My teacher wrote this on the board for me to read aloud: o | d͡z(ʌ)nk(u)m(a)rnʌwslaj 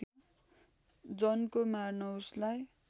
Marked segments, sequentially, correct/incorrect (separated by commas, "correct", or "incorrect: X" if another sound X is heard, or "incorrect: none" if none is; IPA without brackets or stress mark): correct, incorrect: o, correct